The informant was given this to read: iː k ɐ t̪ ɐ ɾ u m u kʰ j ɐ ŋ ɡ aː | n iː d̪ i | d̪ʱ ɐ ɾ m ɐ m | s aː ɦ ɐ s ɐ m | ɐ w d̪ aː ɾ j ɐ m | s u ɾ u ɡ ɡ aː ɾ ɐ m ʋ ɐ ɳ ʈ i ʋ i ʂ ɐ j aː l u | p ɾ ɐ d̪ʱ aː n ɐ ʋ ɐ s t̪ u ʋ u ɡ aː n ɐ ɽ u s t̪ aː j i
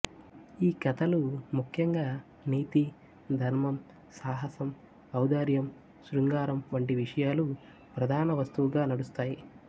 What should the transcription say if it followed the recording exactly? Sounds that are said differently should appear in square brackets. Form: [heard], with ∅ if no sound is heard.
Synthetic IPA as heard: iː k ɐ t̪ ɐ [l] u m u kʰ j ɐ ŋ ɡ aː | n iː [t̪] i | d̪ʱ ɐ ɾ m ɐ m | s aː ɦ ɐ s ɐ m | ɐ w d̪ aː ɾ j ɐ m | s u ɾ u [ŋ] ɡ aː ɾ ɐ m ʋ ɐ ɳ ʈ i ʋ i ʂ ɐ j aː l u | p ɾ ɐ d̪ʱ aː n ɐ ʋ ɐ s t̪ u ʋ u ɡ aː n ɐ ɽ u s t̪ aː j i